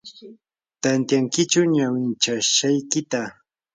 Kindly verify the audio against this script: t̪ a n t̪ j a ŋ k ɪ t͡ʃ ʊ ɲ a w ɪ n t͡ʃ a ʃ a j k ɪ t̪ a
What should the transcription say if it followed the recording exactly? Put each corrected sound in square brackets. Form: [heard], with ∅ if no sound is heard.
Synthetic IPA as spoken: t̪ a n t̪ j a ŋ k ɪ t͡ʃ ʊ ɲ a w ɪ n t͡ʃ a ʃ a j k ɪ t̪ a